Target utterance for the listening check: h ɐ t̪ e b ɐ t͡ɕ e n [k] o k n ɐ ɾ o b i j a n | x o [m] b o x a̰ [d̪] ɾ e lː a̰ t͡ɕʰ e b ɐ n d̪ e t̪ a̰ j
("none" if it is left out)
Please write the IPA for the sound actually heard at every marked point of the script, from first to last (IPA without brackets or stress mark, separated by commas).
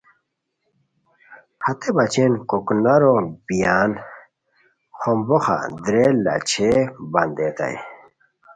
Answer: k, m, d̪